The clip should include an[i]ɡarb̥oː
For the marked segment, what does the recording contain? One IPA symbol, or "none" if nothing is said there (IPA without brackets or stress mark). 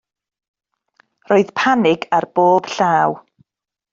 ɪ